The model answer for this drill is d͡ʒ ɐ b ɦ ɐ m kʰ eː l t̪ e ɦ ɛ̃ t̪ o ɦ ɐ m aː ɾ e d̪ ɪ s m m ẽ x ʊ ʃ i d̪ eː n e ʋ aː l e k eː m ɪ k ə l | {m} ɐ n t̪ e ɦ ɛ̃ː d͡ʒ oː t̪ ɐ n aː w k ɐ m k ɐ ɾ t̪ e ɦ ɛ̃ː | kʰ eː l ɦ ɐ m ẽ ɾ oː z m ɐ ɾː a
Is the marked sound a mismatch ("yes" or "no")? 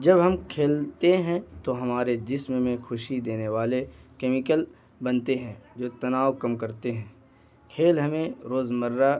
yes